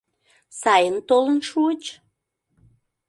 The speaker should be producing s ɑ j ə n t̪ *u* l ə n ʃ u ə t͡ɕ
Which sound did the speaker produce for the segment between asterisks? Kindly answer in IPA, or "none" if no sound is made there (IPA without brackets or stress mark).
o